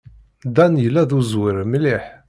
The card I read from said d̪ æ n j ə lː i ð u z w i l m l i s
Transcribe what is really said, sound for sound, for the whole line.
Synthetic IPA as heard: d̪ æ n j ə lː æ ð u z w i ɾ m l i ħ